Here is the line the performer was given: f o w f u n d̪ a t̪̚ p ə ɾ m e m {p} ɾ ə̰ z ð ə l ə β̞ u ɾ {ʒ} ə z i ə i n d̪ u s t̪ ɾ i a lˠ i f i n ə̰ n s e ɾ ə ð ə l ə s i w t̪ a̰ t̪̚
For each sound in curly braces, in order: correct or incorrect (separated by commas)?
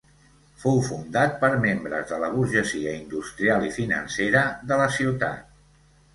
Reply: incorrect, correct